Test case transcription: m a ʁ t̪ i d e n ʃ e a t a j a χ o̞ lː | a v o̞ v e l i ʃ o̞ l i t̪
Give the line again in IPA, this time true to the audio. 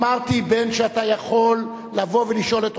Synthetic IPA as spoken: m a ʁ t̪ i b e n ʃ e a t a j a χ o̞ lː | a v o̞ v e l i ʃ o̞ l e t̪